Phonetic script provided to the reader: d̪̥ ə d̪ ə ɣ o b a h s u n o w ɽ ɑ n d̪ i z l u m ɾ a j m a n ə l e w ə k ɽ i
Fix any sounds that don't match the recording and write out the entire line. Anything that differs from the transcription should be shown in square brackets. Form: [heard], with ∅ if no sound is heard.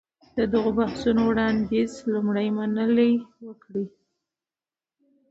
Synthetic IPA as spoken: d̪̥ ə d̪ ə ɣ o b a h s u n o w ɽ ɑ n d̪ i z l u m [ɽ] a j m a n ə l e w ə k ɽ i